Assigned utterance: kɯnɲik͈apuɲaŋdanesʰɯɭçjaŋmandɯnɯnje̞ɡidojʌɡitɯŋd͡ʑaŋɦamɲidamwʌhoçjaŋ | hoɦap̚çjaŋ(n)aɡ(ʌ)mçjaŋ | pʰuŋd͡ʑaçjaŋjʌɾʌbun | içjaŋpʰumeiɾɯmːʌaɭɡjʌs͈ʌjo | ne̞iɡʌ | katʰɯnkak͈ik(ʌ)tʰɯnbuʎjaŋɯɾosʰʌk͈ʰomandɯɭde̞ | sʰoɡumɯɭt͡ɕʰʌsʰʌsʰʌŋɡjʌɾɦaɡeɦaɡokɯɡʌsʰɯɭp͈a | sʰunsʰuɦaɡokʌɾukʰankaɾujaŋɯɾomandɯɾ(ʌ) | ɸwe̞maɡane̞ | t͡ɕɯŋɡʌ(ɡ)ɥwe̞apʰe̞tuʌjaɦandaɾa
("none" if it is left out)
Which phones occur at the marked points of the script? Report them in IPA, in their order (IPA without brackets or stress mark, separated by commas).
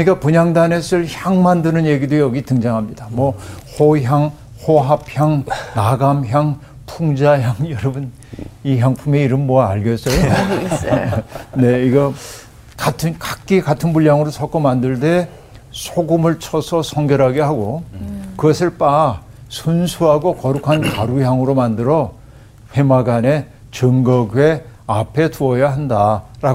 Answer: n, a, a, ʌ, ɡ